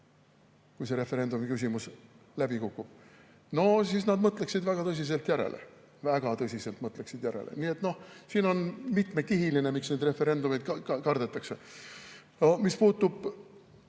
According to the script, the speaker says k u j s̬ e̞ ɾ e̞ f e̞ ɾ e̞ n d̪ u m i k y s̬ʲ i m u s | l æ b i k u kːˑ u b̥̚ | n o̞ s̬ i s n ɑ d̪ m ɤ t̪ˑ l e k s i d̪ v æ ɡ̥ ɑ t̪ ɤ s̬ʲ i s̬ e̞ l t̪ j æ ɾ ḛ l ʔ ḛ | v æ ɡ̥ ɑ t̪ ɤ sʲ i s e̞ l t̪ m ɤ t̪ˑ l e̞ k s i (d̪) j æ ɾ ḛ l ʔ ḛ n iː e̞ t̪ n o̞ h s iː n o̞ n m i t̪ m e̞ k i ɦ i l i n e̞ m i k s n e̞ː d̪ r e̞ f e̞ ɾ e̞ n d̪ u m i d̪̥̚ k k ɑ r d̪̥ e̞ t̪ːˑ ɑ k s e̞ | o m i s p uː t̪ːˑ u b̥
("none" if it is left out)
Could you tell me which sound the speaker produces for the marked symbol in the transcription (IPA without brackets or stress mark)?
d̪